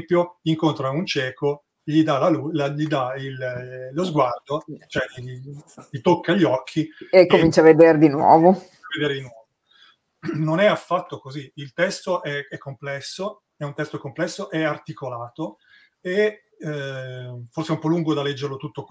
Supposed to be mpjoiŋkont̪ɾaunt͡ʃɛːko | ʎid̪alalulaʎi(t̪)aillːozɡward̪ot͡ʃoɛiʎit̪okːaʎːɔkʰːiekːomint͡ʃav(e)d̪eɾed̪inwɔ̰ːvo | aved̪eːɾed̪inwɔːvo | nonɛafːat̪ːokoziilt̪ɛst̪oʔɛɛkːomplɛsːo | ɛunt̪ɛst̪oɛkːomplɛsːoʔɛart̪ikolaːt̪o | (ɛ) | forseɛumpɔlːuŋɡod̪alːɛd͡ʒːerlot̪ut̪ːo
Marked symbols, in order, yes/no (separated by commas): no, yes, no